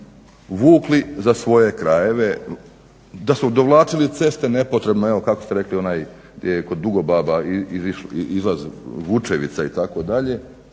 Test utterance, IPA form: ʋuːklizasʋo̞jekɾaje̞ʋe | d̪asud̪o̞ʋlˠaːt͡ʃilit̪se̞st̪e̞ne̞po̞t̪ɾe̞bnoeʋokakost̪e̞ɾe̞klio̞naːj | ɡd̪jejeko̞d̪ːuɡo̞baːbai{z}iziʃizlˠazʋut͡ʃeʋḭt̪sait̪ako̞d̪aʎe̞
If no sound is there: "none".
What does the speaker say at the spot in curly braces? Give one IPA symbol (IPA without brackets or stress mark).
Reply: none